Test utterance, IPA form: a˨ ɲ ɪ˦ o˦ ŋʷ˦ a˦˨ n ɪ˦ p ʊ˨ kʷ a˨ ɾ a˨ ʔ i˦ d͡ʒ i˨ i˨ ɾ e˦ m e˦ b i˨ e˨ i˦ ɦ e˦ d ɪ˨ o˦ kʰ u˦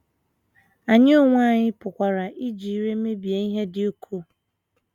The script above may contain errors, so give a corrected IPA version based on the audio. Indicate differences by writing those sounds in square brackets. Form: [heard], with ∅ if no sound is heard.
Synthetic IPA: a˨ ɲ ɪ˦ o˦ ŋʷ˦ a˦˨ [ɲ] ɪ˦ p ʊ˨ kʷ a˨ ɾ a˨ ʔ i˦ d͡ʒ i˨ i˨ ɾ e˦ m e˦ b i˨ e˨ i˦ ɦ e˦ d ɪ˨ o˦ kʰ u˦